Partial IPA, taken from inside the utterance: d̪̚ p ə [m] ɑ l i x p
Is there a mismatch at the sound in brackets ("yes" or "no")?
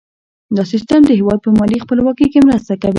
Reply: no